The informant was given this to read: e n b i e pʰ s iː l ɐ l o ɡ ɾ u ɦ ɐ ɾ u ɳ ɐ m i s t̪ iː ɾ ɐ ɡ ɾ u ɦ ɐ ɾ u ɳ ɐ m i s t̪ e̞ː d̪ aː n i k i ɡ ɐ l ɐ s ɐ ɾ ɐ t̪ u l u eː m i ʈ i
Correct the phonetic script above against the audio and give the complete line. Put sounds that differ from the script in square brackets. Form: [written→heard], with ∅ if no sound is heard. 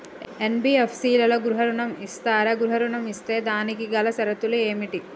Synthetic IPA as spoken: e n b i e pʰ s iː l ɐ l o ɡ ɾ u ɦ ɐ ɾ u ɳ ɐ m i s t̪ [iː→aː] ɾ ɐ ɡ ɾ u ɦ ɐ ɾ u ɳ ɐ m i s t̪ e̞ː d̪ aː n i k i ɡ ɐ l ɐ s ɐ ɾ ɐ t̪ u l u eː m i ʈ i